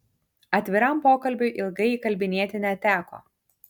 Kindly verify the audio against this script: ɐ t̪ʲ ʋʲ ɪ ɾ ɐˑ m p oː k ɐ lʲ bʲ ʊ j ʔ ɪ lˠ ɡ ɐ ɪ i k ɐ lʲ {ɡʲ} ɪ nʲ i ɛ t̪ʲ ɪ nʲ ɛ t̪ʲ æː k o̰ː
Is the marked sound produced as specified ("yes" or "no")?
no